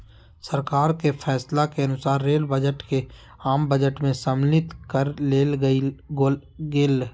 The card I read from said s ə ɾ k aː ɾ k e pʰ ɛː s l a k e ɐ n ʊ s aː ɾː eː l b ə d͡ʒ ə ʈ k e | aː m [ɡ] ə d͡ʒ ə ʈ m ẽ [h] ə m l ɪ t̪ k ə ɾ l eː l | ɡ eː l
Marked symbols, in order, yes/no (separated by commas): no, no